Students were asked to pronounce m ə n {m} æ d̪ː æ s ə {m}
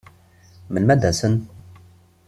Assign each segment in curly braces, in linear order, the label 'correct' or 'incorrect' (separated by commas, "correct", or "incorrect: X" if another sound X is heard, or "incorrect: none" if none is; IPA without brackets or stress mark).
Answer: correct, incorrect: n